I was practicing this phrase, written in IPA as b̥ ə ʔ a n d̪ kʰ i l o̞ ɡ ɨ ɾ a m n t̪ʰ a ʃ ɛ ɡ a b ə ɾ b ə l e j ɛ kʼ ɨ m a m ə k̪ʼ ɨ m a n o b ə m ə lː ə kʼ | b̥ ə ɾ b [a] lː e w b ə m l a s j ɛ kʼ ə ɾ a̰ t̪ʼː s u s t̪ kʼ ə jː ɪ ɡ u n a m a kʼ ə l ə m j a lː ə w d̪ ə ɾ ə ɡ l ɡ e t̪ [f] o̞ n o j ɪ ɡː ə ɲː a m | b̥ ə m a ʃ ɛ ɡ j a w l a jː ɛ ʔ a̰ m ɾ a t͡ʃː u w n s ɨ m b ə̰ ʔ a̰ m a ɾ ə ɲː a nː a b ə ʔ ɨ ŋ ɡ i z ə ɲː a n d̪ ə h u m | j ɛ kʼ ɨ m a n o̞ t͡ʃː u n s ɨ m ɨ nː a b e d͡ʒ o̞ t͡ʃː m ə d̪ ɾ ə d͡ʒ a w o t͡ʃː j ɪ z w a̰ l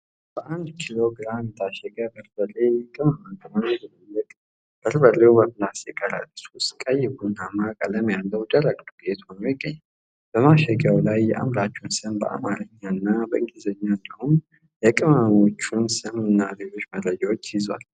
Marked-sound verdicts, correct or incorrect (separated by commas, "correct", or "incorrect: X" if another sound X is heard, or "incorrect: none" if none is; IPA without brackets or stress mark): incorrect: ə, incorrect: h